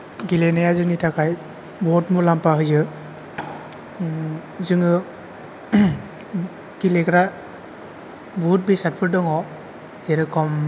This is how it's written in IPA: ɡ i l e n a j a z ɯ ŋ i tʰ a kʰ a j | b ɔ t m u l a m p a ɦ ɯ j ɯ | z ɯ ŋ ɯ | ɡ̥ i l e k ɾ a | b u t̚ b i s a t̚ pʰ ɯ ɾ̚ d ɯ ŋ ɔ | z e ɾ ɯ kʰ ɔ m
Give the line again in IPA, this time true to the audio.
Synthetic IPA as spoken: ɡ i l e n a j a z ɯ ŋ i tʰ a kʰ a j | b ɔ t m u l a m p a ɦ ɯ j ɯ | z ɯ ŋ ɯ | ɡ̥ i l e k ɾ a | b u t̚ b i s a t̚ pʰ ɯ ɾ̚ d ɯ ŋ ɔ | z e ɾ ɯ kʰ ɔ m